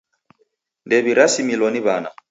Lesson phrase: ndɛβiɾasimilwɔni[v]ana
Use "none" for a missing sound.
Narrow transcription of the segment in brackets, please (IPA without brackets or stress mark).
β